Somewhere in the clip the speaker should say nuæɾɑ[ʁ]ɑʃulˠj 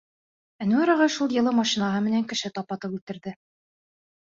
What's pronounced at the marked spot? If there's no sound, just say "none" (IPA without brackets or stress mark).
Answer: ʁ